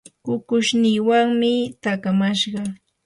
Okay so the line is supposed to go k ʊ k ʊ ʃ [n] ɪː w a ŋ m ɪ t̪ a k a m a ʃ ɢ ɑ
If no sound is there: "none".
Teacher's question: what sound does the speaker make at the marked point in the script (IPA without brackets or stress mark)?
n